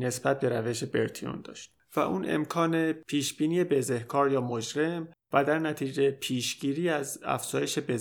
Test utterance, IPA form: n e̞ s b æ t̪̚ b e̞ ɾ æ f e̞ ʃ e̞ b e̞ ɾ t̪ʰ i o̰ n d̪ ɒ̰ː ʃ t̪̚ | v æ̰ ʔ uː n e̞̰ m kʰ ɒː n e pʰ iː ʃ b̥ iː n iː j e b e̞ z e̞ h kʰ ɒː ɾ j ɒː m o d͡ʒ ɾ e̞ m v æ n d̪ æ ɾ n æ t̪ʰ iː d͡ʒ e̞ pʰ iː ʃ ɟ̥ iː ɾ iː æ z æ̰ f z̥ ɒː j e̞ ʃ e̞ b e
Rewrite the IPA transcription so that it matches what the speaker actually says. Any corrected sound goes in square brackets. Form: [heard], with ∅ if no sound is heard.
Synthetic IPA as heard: n e̞ s b æ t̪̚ b e̞ ɾ æ [v] e̞ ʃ e̞ b e̞ ɾ t̪ʰ i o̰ n d̪ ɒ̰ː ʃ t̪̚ | v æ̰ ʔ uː n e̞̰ m kʰ ɒː n e pʰ iː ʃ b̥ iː n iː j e b e̞ z e̞ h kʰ ɒː ɾ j ɒː m o d͡ʒ ɾ e̞ m v æ [∅] d̪ æ ɾ n æ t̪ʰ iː d͡ʒ e̞ pʰ iː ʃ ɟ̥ iː ɾ iː æ z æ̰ f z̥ ɒː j e̞ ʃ e̞ b e